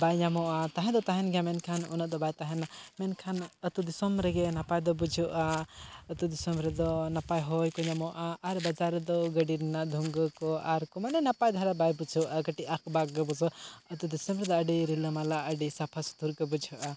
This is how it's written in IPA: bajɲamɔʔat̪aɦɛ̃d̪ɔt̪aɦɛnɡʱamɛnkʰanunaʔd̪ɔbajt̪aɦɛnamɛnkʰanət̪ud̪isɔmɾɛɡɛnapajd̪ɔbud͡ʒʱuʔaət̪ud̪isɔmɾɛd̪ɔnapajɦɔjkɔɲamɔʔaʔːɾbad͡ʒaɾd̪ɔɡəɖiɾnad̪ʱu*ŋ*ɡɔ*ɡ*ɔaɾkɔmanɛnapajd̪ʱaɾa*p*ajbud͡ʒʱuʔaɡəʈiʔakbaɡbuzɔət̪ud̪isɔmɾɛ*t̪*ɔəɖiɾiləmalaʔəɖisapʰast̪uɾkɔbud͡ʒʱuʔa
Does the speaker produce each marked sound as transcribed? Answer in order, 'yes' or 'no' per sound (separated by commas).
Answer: yes, no, no, no